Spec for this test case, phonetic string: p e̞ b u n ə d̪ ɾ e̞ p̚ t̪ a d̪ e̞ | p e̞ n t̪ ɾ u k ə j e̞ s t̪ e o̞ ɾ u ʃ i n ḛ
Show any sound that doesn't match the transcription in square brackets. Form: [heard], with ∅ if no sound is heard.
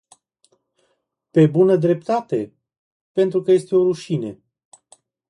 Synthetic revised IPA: p e̞ b u n ə d̪ ɾ e̞ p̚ t̪ a [t̪] e̞ | p e̞ n t̪ ɾ u k ə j e̞ s t̪ e o̞ ɾ u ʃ i n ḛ